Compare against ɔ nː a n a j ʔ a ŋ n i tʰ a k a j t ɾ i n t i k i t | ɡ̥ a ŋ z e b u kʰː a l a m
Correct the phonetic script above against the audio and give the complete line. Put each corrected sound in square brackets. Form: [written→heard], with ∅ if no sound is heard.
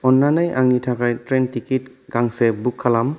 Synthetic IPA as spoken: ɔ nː a n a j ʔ a ŋ n i tʰ a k a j t ɾ [i→e] n t i k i t | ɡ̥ a ŋ [z→s] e b u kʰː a l a m